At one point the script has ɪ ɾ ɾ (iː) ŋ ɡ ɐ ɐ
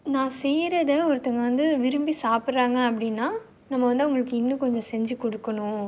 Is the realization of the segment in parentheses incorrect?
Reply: yes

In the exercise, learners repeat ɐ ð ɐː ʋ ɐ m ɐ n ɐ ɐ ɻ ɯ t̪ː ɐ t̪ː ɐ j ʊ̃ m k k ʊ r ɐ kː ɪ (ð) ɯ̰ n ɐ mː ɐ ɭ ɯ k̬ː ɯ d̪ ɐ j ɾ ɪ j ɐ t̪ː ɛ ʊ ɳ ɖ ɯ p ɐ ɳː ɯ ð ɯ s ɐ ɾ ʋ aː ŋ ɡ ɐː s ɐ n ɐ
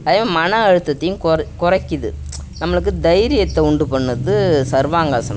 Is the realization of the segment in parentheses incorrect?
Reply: no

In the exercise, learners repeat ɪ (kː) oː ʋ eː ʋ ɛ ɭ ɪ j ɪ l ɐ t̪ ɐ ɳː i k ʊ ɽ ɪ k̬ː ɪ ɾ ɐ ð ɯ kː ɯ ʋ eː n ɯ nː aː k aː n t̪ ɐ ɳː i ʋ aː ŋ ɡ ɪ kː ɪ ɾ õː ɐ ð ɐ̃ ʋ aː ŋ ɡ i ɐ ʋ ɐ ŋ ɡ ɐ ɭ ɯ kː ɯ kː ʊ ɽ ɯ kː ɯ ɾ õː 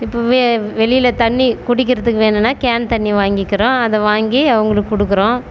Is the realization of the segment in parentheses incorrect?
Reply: yes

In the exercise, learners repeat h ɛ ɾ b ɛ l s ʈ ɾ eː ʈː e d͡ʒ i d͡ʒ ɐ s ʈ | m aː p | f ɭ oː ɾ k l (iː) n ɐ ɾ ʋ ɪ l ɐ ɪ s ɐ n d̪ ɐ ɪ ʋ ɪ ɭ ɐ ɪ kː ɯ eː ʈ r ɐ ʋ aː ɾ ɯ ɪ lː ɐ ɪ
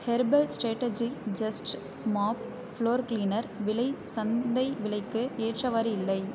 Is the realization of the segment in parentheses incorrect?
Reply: no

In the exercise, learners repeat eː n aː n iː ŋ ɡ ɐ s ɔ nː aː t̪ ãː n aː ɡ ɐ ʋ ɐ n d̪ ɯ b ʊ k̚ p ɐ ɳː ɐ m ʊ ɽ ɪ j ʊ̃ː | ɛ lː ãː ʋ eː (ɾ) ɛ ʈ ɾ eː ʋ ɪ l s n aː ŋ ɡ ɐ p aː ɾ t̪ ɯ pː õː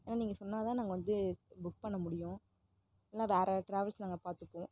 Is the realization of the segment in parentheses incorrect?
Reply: no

